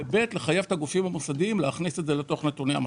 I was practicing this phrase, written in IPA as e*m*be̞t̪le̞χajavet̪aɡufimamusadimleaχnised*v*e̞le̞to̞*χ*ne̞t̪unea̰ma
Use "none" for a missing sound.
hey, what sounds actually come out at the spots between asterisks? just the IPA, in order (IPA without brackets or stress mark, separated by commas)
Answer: none, z, χ